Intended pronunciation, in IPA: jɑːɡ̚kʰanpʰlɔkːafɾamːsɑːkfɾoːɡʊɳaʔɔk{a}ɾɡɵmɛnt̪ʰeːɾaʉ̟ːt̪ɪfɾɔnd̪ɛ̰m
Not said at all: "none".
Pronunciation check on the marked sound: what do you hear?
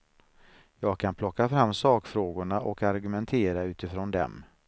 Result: a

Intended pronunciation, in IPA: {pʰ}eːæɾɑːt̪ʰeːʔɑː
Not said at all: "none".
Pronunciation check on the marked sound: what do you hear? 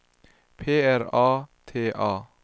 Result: pʰ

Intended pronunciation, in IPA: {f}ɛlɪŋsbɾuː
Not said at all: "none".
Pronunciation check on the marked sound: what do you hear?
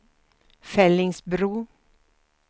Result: f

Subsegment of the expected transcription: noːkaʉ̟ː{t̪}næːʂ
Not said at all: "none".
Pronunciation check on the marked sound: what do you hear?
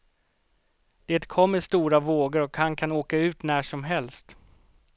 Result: t̪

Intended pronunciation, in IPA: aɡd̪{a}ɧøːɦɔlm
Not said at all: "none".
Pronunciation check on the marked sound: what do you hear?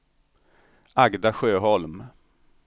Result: a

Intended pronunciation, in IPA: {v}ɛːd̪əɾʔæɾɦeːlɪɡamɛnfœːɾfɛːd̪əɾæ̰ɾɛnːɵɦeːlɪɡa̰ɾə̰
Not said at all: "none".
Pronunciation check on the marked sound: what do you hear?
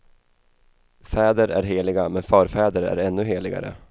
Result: f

